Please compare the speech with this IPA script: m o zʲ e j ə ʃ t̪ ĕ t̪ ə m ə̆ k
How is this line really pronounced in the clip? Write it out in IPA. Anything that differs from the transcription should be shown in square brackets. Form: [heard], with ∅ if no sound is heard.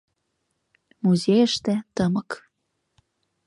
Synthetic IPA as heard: m [u] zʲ e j ə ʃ t̪ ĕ t̪ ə m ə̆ k